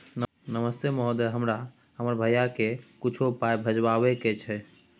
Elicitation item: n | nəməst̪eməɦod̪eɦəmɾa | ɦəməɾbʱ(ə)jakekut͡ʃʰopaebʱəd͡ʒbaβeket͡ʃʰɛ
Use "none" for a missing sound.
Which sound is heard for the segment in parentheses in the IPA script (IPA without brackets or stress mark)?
ə